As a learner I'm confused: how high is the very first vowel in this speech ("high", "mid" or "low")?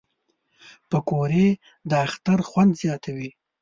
mid